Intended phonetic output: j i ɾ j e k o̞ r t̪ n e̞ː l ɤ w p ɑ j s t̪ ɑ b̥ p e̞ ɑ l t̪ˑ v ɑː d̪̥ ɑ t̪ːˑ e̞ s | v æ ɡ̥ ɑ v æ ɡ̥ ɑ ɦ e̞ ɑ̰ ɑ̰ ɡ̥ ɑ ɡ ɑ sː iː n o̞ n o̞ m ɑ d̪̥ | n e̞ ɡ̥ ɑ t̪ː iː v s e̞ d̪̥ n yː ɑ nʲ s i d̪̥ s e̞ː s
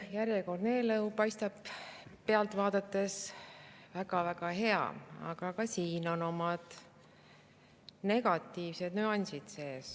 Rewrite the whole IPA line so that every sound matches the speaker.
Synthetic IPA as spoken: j æ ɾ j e k o̞ r d̪ n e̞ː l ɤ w p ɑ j s t̪ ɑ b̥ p e̞ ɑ l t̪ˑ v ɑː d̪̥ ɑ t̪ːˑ e̞ s | v æ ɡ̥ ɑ v æ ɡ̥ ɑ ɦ e̞ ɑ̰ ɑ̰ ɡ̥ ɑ k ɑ s iː n o̞ n o̞ m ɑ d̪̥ | n e̞ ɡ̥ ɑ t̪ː iː v s e̞ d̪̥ n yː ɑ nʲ s i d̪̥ s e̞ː s